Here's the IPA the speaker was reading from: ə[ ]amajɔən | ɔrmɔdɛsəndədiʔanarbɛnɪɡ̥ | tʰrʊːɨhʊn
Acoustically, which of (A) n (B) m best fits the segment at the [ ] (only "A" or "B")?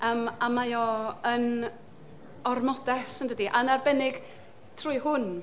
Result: B